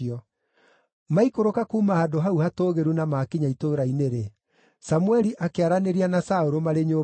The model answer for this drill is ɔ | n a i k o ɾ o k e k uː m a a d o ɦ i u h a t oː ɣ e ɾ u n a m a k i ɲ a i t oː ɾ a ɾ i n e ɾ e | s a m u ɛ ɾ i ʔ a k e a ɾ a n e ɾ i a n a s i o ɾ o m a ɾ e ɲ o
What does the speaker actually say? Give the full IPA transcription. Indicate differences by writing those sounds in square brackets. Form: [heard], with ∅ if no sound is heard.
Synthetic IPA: ɔ | [m] a i k o ɾ o k [a] k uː m a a d o ɦ [a] u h a t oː ɣ e ɾ u n a m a k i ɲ a i t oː ɾ a [∅] i n e ɾ e | s a m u ɛ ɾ i ʔ a k e a ɾ a n e ɾ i a n a s [a] o ɾ o m a ɾ e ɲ o